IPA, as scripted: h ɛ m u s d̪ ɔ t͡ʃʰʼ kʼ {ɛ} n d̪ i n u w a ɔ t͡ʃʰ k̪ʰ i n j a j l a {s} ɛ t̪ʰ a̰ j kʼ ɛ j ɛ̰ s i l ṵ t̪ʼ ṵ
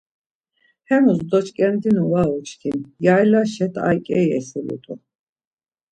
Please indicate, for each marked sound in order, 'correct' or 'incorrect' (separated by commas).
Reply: correct, incorrect